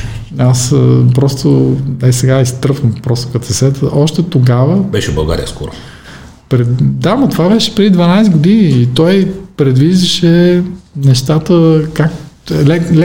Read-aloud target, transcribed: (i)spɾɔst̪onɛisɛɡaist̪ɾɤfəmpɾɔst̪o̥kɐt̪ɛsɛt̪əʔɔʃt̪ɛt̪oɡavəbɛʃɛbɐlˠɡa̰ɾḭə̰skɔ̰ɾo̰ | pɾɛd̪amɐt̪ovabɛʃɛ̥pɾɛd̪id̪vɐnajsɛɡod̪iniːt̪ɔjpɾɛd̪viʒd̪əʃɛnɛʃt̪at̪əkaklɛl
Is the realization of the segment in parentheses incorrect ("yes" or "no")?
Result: yes